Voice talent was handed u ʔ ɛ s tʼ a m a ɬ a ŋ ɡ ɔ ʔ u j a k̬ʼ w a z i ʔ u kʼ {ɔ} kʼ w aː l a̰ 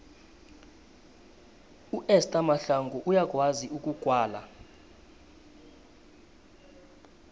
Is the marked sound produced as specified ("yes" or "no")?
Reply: no